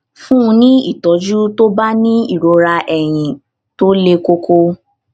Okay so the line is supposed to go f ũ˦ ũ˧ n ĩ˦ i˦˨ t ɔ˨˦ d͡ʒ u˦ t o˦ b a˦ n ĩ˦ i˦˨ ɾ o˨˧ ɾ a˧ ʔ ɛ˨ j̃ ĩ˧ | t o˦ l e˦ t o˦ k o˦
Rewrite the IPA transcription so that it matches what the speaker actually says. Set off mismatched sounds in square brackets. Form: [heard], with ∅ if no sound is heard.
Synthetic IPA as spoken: f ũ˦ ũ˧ n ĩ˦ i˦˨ t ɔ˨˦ d͡ʒ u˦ t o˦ b a˦ n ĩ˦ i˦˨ ɾ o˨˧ ɾ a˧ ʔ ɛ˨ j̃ ĩ˧ | t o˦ l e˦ [k] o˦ k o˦